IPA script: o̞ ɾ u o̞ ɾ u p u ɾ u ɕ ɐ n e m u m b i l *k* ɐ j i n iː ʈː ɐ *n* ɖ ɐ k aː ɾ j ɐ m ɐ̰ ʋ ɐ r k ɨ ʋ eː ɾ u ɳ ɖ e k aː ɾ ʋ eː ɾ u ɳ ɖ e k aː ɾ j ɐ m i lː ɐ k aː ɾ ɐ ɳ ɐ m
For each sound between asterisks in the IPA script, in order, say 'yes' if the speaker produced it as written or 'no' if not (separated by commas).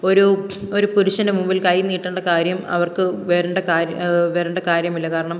yes, no